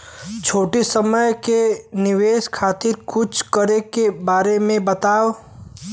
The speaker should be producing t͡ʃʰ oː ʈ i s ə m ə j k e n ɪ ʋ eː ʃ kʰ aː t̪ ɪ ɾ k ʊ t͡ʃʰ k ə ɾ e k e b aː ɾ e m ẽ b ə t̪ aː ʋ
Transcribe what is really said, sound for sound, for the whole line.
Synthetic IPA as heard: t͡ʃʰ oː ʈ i s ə m ə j k e n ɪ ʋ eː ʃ kʰ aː t̪ ɪ ɾ k ʊ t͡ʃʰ k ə ɾ e k e b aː ɾ e m ẽ b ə t̪ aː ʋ